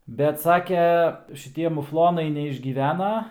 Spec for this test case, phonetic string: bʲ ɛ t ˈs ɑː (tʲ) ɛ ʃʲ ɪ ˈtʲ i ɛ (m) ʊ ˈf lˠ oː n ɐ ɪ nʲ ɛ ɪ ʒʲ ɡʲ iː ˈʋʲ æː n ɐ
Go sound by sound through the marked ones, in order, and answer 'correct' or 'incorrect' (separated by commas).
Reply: incorrect, correct